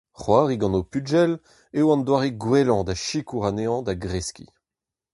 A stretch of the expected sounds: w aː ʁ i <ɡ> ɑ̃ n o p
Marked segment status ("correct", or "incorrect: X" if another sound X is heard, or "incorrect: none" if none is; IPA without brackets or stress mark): correct